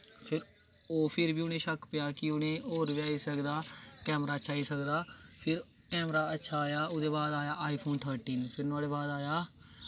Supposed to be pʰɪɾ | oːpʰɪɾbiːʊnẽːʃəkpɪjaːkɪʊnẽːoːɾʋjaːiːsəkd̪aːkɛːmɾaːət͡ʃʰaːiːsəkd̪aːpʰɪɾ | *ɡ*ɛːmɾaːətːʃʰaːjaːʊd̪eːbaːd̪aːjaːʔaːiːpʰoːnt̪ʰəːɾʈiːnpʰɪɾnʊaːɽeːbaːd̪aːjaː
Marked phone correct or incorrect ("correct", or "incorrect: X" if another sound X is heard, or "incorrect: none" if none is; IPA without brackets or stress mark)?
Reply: incorrect: k